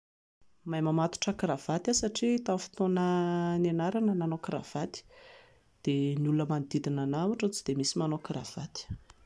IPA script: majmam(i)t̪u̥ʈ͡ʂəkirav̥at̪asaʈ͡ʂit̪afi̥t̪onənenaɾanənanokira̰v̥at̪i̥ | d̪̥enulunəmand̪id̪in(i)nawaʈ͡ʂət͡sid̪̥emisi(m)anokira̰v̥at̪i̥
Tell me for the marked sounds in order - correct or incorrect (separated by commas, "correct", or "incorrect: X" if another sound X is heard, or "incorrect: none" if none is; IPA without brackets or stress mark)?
incorrect: a, incorrect: a, correct